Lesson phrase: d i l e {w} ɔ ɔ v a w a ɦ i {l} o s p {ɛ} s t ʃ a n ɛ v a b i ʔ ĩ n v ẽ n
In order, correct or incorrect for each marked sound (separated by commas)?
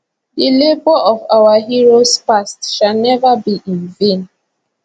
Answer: incorrect, incorrect, incorrect